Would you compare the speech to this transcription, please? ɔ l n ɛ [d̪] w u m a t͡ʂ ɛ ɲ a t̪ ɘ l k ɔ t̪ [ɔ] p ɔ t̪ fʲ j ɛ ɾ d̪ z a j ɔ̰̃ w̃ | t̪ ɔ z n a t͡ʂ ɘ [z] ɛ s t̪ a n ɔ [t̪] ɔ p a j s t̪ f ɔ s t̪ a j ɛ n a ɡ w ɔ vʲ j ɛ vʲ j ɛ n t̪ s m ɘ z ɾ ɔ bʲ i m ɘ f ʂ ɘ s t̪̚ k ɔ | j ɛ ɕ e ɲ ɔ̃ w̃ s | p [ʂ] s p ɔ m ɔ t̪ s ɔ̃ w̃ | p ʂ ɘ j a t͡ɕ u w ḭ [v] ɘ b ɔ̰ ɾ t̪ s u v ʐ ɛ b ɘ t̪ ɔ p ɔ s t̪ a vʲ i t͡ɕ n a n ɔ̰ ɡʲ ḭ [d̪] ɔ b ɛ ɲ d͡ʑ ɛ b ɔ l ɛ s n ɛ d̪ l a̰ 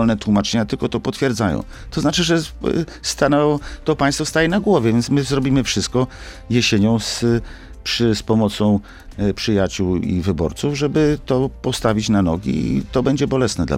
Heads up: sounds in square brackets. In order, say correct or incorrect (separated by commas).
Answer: incorrect, correct, incorrect, correct, correct, correct, incorrect